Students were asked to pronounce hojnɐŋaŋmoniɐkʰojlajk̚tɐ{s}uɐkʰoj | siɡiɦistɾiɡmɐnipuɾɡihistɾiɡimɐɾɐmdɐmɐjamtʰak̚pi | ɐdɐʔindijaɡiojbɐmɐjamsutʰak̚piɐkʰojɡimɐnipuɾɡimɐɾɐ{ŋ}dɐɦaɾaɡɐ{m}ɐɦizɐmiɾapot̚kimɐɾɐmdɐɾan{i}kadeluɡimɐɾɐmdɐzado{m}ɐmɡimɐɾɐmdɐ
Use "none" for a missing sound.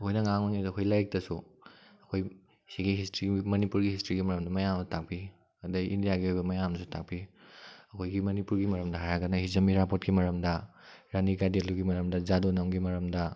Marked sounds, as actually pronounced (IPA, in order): s, m, n, i, n

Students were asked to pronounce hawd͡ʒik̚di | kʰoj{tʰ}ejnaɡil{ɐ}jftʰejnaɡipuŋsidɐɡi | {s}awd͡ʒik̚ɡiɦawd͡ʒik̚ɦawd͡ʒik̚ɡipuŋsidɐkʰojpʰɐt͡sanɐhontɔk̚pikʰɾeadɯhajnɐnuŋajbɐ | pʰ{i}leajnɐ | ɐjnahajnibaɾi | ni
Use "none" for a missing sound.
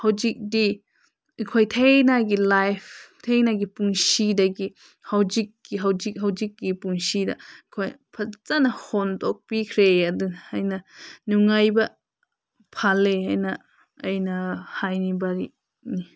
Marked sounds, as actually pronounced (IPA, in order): tʰ, a, h, a

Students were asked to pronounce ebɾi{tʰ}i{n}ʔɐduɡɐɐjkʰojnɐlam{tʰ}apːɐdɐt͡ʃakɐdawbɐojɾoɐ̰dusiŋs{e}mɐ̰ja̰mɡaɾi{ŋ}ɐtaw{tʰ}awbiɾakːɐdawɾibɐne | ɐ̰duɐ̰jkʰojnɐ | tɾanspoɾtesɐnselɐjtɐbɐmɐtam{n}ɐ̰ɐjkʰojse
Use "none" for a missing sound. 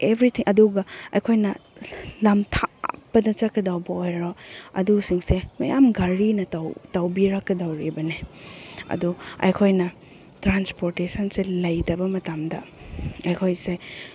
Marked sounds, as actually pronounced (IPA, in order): tʰ, ŋ, tʰ, e, n, t, d

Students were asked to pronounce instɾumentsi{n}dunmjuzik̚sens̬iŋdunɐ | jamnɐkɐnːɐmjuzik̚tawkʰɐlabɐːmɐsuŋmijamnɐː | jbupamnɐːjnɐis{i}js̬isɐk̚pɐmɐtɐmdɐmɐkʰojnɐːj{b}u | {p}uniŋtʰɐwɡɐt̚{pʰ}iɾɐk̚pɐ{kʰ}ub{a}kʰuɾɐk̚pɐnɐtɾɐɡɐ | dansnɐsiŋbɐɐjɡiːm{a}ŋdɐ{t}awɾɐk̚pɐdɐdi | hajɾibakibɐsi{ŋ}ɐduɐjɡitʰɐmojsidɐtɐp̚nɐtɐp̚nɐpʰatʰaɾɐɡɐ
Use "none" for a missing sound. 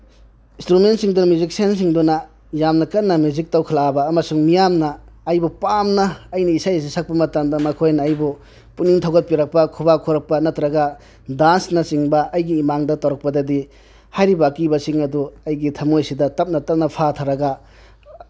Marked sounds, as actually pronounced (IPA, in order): ŋ, a, b, p, p, kʰ, a, a, t, ŋ

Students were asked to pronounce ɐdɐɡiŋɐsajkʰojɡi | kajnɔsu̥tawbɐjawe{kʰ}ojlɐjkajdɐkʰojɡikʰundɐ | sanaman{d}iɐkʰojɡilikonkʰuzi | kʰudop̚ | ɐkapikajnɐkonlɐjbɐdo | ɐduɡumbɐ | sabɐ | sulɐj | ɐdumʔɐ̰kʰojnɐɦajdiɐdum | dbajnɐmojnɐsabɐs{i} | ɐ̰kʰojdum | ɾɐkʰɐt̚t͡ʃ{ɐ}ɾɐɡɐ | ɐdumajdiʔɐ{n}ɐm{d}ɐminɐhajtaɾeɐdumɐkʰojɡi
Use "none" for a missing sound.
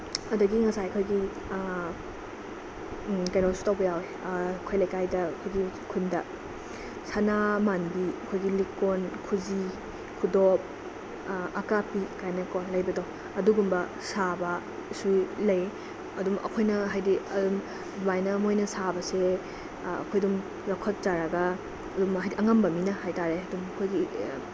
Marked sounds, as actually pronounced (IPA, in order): kʰ, b, e, a, ŋ, b

